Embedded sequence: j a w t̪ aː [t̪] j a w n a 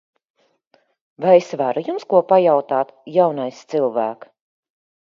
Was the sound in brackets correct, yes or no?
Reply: yes